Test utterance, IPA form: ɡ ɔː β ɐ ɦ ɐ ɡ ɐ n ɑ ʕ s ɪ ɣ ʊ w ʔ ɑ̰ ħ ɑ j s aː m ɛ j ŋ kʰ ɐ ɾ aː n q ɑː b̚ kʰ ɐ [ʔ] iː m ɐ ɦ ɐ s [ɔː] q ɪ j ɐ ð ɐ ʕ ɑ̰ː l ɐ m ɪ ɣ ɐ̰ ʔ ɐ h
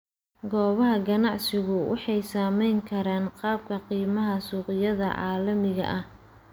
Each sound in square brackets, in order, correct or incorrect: incorrect, incorrect

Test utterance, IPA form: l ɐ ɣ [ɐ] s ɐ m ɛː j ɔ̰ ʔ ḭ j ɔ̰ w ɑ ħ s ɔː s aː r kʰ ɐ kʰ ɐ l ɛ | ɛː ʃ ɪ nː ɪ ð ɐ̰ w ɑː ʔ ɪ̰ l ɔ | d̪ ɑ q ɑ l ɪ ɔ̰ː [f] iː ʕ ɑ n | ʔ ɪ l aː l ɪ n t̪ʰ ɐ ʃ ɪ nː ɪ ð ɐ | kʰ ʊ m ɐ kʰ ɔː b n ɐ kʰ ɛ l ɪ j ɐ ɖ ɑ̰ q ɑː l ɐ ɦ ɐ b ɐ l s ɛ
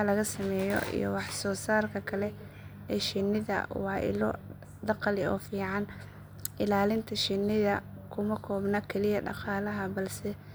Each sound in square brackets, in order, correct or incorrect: correct, correct

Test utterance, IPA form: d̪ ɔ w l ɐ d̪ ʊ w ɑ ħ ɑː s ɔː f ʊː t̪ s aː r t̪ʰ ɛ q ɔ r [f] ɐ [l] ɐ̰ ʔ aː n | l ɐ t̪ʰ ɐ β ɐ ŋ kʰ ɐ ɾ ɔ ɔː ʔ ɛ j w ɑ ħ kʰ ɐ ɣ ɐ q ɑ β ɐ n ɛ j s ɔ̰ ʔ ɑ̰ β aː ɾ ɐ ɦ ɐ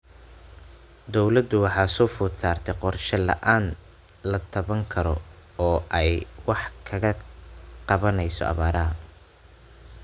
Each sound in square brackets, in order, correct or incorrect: incorrect, correct

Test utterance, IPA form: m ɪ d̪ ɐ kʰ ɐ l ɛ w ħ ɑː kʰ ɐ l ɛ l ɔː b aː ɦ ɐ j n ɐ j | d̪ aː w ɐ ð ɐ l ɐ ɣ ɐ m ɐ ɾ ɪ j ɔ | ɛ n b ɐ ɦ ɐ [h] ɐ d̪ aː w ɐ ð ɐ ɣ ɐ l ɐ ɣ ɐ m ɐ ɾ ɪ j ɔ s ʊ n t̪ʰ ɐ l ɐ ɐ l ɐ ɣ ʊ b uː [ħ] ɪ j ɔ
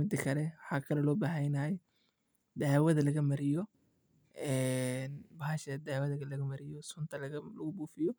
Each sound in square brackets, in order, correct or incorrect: incorrect, incorrect

